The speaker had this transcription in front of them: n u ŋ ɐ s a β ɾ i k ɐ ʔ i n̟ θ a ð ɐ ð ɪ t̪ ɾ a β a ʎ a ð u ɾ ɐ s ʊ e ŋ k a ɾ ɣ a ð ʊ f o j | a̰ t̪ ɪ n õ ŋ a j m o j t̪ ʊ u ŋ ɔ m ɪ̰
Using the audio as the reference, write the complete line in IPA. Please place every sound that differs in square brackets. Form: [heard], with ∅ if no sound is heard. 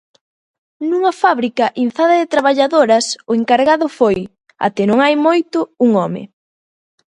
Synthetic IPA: n u ŋ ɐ [f] a β ɾ i k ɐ ʔ i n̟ θ a ð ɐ ð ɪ t̪ ɾ a β a ʎ a ð [o] ɾ ɐ s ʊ e ŋ k a ɾ ɣ a ð ʊ f o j | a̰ t̪ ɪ n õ ŋ a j m o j t̪ ʊ u ŋ ɔ m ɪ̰